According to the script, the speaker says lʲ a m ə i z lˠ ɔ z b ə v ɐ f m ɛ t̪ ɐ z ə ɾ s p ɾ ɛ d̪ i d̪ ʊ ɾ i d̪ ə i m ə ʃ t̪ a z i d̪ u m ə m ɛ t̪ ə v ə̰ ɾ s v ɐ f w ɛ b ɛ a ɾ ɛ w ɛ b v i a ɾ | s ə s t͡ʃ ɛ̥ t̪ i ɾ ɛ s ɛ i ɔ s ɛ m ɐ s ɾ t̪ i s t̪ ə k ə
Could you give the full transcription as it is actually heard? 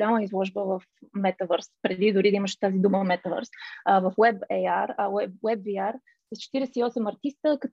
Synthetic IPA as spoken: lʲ a m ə i z lˠ ɔ ʒ b ə v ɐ f m ɛ t̪ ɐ v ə ɾ s p ɾ ɛ d̪ i d̪ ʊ ɾ i d̪ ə i m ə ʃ t̪ a z i d̪ u m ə m ɛ t̪ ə v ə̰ ɾ s v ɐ f w ɛ b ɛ a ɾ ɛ w ɛ b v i a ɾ | s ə s t͡ʃ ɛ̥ t̪ i ɾ ɛ s ɛ i ɔ s ɛ m ɐ ɾ t̪ i s t̪ ə k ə